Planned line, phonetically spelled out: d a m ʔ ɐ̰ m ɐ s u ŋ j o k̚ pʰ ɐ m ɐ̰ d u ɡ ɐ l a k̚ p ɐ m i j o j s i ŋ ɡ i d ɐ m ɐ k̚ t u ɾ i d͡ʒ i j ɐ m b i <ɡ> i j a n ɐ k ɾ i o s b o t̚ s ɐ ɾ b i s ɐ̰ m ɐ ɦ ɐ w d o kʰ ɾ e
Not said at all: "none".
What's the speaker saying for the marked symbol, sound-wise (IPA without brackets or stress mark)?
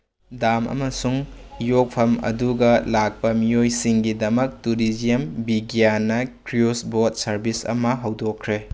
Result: ɡ